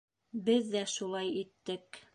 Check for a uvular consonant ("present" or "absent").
absent